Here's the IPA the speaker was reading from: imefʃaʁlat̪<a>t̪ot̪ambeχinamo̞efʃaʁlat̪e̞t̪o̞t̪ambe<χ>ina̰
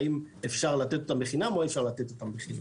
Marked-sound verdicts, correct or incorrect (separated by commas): incorrect, correct